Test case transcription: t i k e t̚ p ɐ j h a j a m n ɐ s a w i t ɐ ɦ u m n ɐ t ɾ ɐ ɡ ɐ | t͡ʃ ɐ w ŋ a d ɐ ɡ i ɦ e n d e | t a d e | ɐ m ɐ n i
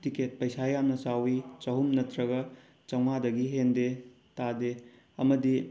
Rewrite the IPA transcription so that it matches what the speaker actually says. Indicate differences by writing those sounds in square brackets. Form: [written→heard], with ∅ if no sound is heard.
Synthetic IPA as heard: t i k e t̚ p ɐ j [h→s] a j a m n ɐ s a w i [t→t͡ʃ] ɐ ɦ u m n ɐ t ɾ ɐ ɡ ɐ | t͡ʃ ɐ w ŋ a d ɐ ɡ i ɦ e n d e | t a d e | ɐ m ɐ [n→d] i